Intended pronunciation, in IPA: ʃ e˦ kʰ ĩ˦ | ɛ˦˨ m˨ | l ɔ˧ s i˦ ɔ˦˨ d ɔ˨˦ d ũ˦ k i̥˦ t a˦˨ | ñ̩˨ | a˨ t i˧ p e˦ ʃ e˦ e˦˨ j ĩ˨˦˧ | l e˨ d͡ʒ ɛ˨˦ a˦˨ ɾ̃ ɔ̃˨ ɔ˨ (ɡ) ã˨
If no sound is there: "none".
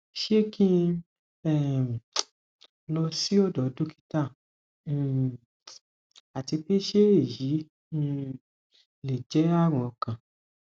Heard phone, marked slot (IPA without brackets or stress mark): k